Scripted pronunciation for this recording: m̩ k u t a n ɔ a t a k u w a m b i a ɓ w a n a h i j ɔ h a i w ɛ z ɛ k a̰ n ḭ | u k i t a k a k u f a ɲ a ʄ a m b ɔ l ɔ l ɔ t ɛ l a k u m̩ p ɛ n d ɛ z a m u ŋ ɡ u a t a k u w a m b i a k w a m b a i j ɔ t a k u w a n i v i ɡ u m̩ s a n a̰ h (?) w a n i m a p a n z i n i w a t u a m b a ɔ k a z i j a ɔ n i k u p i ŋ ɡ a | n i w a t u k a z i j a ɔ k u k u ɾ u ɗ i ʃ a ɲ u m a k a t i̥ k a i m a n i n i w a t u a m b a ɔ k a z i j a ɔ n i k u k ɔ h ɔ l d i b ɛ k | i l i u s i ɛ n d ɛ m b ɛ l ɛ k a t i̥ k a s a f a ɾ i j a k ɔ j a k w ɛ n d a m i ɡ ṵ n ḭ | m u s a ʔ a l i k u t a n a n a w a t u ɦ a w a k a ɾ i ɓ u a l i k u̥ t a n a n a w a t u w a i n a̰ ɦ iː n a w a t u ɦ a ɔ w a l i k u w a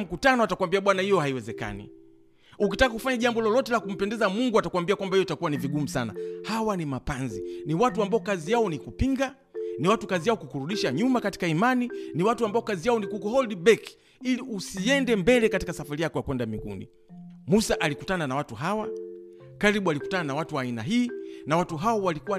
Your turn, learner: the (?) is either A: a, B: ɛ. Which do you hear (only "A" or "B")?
A